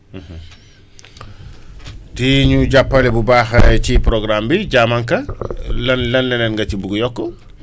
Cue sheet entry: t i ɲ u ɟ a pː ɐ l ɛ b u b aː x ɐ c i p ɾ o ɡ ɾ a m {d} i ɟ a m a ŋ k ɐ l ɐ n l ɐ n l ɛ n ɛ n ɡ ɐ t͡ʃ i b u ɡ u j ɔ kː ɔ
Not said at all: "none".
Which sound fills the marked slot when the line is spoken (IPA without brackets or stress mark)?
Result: b